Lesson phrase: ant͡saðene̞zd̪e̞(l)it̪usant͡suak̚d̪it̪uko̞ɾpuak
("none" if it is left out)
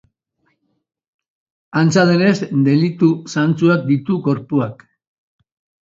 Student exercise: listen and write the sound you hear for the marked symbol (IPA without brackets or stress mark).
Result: l